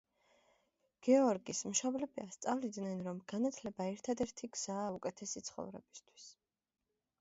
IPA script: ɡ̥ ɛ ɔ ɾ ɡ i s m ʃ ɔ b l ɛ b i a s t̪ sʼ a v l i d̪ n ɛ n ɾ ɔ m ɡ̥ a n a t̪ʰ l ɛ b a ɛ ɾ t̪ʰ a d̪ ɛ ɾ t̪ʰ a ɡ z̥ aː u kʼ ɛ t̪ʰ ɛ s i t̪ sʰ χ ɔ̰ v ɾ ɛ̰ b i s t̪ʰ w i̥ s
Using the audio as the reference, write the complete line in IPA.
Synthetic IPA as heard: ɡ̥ ɛ ɔ ɾ ɡ i s m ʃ ɔ b l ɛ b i a s t̪ sʼ a v l i d̪ n ɛ n ɾ ɔ m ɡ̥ a n a t̪ʰ l ɛ b a ɛ ɾ t̪ʰ a d̪ ɛ ɾ t̪ʰ i ɡ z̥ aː u kʼ ɛ t̪ʰ ɛ s i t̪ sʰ χ ɔ̰ v ɾ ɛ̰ b i s t̪ʰ w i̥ s

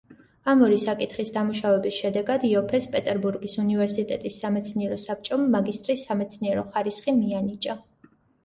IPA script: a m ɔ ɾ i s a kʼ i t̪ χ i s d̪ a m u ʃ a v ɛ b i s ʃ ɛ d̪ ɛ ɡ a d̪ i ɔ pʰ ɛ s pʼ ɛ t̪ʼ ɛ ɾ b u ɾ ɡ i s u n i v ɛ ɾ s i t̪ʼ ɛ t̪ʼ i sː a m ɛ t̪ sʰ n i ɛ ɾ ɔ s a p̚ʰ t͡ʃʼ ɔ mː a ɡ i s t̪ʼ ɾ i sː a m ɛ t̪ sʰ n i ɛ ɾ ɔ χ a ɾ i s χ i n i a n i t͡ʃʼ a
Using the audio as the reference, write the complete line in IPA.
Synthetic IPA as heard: a m ɔ ɾ i s a kʼ i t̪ χ i s d̪ a m u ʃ a v ɛ b i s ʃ ɛ d̪ ɛ ɡ a d̪ i ɔ pʰ ɛ s pʼ ɛ t̪ʼ ɛ ɾ b u ɾ ɡ i s u n i v ɛ ɾ s i t̪ʼ ɛ t̪ʼ i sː a m ɛ t̪ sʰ n i ɛ ɾ ɔ s a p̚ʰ t͡ʃʼ ɔ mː a ɡ i s t̪ʼ ɾ i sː a m ɛ t̪ sʰ n i ɛ ɾ ɔ χ a ɾ i s χ i m i a n i t͡ʃʼ a

